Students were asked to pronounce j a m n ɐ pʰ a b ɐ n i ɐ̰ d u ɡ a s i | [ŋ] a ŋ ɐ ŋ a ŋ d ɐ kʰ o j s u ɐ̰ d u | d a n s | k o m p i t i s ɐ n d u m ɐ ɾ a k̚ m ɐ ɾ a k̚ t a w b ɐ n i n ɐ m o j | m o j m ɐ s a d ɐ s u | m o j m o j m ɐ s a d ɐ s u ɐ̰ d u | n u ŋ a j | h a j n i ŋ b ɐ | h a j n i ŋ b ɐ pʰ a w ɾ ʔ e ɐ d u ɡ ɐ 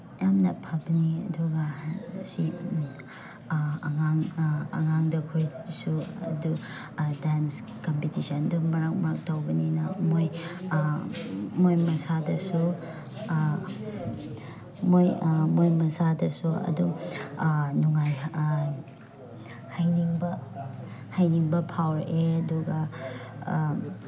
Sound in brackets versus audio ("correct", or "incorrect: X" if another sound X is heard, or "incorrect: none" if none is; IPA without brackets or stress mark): correct